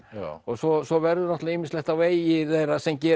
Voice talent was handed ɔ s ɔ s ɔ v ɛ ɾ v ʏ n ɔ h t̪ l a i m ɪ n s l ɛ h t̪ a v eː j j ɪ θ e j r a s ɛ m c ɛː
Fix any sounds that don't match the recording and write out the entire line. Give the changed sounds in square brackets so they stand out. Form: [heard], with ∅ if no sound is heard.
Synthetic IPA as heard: ɔ s ɔ s ɔ v ɛ ɾ [ð] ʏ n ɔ h t̪ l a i m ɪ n s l ɛ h t̪ a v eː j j ɪ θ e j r a s ɛ m c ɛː